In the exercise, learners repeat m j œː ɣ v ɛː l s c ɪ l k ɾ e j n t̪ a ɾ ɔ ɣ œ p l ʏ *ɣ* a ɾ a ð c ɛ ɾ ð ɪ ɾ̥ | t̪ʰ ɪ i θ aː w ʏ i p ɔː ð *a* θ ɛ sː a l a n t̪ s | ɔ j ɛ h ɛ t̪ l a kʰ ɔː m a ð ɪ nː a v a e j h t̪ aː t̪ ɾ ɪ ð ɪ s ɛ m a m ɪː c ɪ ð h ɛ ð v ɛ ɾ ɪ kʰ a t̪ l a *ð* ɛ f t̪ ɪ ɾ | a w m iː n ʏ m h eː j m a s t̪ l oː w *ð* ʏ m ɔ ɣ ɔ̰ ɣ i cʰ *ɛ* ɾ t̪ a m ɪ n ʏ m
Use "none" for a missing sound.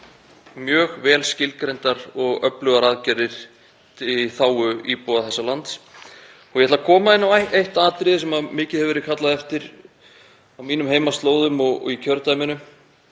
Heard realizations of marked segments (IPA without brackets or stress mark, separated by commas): ɣ, a, ð, ð, œ